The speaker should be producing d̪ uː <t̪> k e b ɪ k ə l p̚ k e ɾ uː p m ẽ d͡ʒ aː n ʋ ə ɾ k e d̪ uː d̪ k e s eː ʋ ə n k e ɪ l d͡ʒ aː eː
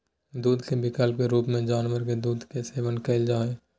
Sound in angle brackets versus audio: incorrect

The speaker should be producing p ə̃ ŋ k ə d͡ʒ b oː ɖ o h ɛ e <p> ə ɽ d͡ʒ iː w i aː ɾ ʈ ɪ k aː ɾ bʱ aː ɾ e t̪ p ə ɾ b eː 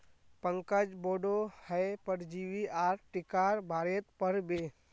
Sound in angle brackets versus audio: correct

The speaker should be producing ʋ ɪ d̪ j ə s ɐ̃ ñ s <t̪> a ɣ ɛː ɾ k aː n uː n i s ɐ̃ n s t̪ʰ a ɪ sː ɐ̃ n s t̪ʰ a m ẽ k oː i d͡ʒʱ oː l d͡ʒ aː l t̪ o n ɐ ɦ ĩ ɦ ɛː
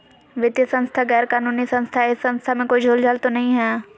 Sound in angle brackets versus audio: incorrect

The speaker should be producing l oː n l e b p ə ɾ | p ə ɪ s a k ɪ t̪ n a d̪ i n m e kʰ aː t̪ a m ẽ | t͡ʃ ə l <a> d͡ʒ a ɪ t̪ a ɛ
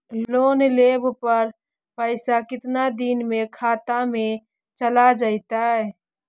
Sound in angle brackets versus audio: correct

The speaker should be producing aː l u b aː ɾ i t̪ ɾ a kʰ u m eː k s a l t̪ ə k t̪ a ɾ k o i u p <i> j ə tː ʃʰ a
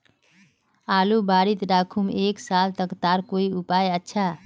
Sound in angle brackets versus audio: incorrect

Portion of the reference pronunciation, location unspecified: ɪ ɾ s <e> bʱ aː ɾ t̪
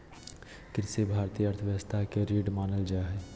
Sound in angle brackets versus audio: correct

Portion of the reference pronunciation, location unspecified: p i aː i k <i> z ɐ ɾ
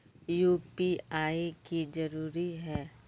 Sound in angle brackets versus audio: correct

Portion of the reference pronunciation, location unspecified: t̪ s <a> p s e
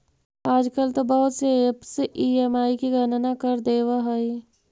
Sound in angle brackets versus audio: incorrect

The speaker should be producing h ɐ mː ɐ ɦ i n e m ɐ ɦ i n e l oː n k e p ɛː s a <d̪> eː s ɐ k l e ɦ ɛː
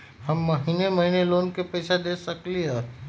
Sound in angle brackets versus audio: correct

